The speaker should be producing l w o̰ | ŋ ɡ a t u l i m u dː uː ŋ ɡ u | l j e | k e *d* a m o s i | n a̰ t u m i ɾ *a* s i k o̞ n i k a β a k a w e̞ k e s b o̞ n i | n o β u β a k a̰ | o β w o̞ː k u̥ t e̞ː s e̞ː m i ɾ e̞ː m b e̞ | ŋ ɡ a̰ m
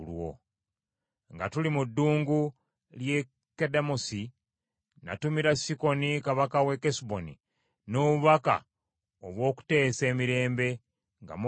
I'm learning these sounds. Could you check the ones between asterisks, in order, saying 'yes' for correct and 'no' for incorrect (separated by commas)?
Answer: yes, yes